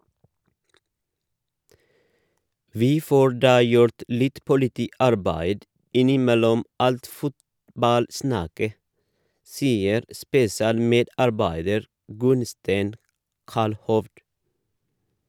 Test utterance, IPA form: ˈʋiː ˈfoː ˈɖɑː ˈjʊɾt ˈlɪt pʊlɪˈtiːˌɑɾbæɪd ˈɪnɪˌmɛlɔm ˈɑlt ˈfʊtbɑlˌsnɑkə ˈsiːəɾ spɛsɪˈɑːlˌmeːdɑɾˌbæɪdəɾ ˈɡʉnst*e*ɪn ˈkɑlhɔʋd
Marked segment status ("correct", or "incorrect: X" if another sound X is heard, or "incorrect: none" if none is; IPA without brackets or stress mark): incorrect: æ